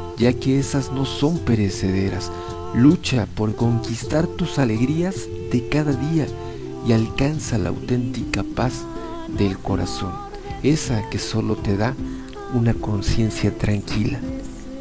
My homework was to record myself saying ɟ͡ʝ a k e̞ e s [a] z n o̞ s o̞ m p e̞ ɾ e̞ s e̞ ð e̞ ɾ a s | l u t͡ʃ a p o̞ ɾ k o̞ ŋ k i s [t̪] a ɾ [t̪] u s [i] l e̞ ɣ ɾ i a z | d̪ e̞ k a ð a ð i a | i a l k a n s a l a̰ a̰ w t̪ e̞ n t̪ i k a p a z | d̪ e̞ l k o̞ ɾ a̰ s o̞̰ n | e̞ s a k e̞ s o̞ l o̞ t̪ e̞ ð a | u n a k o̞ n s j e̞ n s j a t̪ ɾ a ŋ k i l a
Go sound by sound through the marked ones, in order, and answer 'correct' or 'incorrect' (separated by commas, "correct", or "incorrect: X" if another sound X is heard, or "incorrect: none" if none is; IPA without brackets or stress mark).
correct, correct, correct, incorrect: a